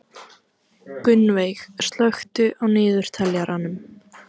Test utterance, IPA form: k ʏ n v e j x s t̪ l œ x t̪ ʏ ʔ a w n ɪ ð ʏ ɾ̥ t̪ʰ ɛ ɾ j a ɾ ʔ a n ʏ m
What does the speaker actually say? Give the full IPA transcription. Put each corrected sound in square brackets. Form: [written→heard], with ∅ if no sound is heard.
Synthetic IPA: k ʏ n v e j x s t̪ l œ x t̪ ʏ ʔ a w n [ɪ→ɪː] ð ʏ ɾ̥ t̪ʰ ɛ [ɾ→l] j a ɾ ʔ a n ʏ m